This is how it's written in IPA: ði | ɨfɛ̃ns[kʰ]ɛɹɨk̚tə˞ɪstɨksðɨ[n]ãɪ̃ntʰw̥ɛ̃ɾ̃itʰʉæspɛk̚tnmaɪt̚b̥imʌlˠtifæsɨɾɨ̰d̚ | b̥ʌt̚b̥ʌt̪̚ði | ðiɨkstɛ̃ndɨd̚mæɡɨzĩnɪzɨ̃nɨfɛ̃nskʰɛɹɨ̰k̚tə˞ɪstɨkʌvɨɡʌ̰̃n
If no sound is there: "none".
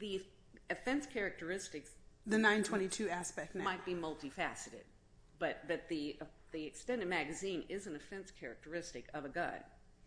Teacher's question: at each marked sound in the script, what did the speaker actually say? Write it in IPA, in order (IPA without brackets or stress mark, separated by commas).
kʰ, n